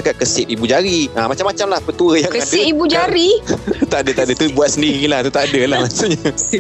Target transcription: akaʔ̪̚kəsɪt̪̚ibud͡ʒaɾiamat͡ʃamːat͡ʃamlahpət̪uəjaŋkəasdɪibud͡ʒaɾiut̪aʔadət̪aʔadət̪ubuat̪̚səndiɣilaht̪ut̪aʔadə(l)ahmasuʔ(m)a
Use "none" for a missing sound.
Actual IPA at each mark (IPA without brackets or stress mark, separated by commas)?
l, ɲ